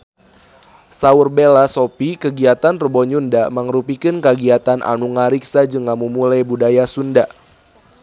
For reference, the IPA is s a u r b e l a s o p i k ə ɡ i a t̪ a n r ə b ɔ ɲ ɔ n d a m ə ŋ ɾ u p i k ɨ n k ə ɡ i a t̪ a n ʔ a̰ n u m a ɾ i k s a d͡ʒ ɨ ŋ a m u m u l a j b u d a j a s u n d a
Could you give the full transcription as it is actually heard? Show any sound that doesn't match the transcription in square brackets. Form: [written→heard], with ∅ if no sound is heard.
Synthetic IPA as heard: s a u r b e l a s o p i k ə ɡ i a t̪ a n r ə b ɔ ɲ [ɔ→u] n d a m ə ŋ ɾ u p i k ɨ n k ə ɡ i a t̪ a n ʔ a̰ n u [m→ŋ] a ɾ i k s a d͡ʒ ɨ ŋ a m u m u l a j b u d a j a s u n d a

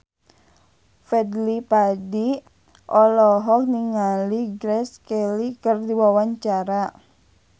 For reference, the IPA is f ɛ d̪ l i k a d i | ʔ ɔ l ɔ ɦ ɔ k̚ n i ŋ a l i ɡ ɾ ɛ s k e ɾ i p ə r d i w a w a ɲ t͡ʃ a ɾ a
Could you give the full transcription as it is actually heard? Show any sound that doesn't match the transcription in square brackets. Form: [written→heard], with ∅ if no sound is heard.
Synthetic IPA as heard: f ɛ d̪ l i [k→p] a d i | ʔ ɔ l ɔ ɦ ɔ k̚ n i ŋ a l i ɡ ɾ ɛ s k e [ɾ→l] i [p→k] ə r d i w a w a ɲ t͡ʃ a ɾ a

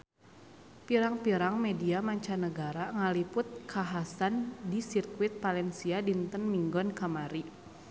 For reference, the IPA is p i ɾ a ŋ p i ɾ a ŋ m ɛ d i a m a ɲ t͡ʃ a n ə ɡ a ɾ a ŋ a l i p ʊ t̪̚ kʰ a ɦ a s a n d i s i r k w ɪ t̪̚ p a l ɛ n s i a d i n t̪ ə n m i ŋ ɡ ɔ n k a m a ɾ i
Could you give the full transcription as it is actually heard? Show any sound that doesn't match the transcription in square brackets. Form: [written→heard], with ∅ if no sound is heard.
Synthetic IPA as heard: p i ɾ a ŋ p i ɾ a ŋ m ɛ d i a m a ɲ t͡ʃ a n ə ɡ a ɾ a ŋ a l i p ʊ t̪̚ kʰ a ɦ a s a n d i s i r k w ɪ t̪̚ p a l ɛ n s i a d i n t̪ ə n m i ŋ ɡ ɔ n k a m a ɾ i

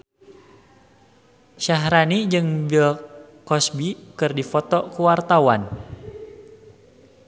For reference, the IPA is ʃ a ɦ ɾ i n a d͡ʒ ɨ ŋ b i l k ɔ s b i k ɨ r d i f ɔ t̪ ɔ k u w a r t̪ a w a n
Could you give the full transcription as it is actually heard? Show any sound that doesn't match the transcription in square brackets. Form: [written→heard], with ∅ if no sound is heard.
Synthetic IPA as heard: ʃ a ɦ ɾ [i→a] n [a→i] d͡ʒ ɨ ŋ b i l k ɔ s b i k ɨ r d i f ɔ t̪ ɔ k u w a r t̪ a w a n

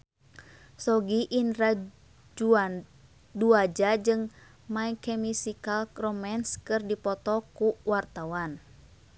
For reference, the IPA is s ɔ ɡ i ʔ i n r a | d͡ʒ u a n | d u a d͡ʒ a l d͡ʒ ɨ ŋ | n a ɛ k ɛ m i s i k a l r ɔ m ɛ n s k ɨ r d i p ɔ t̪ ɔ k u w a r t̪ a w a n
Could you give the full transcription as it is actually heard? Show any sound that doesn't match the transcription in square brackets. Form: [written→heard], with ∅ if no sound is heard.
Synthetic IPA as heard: s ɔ ɡ i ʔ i n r a | d͡ʒ u a n | d u a d͡ʒ a [l→∅] d͡ʒ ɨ ŋ | [n→m] a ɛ k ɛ m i s i k a l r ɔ m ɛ n s k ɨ r d i p ɔ t̪ ɔ k u w a r t̪ a w a n

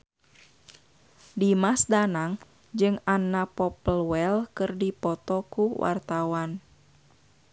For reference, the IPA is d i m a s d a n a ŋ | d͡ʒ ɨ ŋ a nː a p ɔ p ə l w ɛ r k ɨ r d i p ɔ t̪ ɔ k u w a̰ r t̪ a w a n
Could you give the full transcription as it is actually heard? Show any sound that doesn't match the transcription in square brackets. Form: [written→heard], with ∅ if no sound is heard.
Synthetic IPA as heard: d i m a s d a n a ŋ | d͡ʒ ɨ ŋ a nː a p ɔ p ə l w ɛ [r→l] k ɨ r d i p ɔ t̪ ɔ k u w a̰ r t̪ a w a n

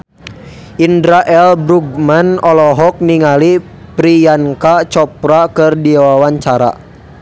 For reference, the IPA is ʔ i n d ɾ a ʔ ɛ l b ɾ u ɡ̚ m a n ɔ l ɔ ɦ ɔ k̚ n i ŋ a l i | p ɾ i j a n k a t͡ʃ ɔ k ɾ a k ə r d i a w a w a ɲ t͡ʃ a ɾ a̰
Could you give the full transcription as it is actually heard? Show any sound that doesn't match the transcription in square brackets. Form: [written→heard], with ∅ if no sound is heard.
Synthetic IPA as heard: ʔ i n d ɾ a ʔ ɛ l b ɾ u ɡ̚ m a n ɔ l ɔ ɦ ɔ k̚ n i ŋ a l i | p ɾ i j a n k a t͡ʃ ɔ [k→p] ɾ a k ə r d i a w a w a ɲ t͡ʃ a ɾ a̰

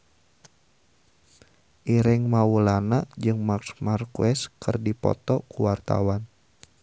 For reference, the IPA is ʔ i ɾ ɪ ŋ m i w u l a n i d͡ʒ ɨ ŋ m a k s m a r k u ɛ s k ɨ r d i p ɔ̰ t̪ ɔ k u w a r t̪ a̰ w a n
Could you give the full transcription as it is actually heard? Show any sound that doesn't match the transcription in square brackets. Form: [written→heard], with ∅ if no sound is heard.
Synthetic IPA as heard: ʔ i ɾ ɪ ŋ m [i→a] w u l a n [i→a] d͡ʒ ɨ ŋ m a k s m a r k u ɛ s k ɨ r d i p ɔ̰ t̪ ɔ k u w a r t̪ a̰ w a n

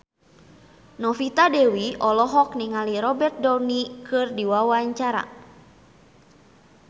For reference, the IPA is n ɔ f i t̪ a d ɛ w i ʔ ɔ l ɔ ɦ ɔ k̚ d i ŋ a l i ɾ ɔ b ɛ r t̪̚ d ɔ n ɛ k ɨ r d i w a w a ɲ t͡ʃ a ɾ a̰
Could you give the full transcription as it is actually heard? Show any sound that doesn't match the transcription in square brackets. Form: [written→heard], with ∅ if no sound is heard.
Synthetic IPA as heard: n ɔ f i t̪ a d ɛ w i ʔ ɔ l ɔ ɦ ɔ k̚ [d→n] i ŋ a l i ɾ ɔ b ɛ r t̪̚ d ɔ n [ɛ→i] k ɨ r d i w a w a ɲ t͡ʃ a ɾ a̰

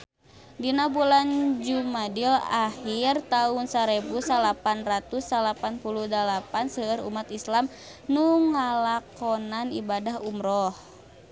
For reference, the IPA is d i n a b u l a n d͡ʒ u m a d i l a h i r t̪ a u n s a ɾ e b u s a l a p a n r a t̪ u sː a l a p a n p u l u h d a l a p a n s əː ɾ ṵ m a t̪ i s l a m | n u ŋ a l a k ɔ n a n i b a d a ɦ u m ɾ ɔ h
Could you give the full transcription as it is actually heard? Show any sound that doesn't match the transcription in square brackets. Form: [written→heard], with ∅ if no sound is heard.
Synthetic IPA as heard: d i n a b u l a n d͡ʒ u m a d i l a h i r t̪ a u n s a ɾ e b u s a l a p a n r a t̪ u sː a l a p a n p u l u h d a l a p a n s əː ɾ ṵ m a t̪ i s l a m | n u ŋ a l a k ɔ n a n i b a d a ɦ u m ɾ ɔ h

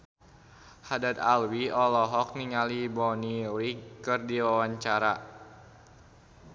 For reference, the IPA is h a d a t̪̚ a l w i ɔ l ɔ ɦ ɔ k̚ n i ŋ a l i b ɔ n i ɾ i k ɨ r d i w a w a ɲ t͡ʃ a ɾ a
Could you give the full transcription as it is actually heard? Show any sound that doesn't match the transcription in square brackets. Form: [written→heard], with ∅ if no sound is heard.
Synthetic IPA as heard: h a d a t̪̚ a l w i ɔ l ɔ ɦ ɔ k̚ n i ŋ a l i b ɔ n i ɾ i k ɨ r d i w a w a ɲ t͡ʃ a ɾ a

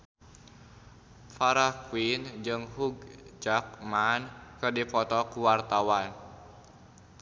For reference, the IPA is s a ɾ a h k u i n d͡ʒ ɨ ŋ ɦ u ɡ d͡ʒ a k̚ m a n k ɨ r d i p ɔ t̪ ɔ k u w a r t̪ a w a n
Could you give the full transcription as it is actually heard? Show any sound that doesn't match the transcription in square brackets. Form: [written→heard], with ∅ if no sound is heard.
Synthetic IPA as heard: [s→f] a ɾ a h k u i n d͡ʒ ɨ ŋ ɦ u ɡ d͡ʒ a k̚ m a n k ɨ r d i p ɔ t̪ ɔ k u w a r t̪ a w a n

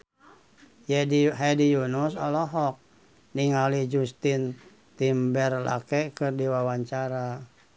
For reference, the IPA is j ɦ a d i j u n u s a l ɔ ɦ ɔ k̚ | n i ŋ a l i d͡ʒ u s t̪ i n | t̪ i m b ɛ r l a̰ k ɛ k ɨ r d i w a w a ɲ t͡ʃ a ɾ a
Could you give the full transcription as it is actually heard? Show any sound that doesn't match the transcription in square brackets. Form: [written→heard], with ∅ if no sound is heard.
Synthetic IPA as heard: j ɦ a d i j u n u s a l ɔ ɦ ɔ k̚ | n i ŋ a l i d͡ʒ u s t̪ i n | t̪ i m b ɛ r l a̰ k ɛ k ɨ r d i w a w a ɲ t͡ʃ a ɾ a

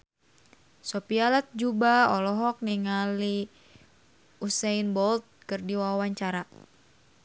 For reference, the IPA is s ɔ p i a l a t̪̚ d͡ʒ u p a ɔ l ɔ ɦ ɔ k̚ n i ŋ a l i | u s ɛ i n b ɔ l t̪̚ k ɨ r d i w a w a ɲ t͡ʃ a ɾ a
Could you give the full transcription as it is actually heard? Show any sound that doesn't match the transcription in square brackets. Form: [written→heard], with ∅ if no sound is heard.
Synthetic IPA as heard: s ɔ p i a l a t̪̚ d͡ʒ u [p→b] a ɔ l ɔ ɦ ɔ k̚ n i ŋ a l i | u s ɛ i n b ɔ l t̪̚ k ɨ r d i w a w a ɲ t͡ʃ a ɾ a

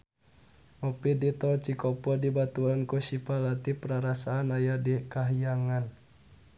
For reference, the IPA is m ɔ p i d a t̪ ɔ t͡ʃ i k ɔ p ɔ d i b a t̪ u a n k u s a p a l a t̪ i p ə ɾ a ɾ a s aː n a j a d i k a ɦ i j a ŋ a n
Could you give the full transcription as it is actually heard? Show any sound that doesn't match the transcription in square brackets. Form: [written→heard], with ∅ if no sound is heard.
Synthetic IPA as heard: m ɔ p i d [a→i] t̪ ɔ t͡ʃ i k ɔ p ɔ d i b a t̪ u a n k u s [a→i] p a l a t̪ i p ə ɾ a ɾ a s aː n a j a d i k a ɦ i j a ŋ a n

